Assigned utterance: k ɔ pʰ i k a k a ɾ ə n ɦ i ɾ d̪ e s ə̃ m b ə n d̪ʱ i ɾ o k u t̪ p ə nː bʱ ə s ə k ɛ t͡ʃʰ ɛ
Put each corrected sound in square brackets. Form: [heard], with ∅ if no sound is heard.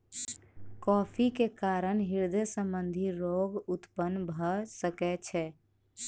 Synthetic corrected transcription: k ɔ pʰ i k [e] k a ɾ ə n ɦ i ɾ d̪ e s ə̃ m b ə n d̪ʱ i ɾ o [ɡ] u t̪ p ə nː bʱ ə s ə k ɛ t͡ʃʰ ɛ